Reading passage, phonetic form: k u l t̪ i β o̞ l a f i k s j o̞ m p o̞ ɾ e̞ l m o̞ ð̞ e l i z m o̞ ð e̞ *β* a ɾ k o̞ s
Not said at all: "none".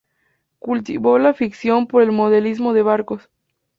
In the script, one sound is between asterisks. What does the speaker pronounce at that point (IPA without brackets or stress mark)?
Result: β